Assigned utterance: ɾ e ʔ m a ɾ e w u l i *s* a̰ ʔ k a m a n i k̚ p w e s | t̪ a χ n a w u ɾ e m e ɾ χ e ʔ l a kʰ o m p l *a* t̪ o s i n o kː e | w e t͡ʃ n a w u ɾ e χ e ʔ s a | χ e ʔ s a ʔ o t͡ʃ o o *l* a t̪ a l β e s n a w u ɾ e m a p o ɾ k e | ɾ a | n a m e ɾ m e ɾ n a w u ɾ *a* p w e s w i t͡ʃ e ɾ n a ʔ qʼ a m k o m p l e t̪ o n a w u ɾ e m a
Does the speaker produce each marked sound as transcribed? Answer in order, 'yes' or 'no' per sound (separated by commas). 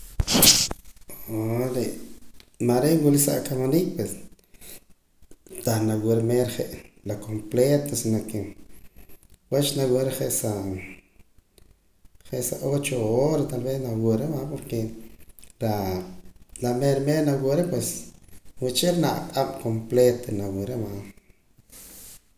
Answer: yes, no, no, no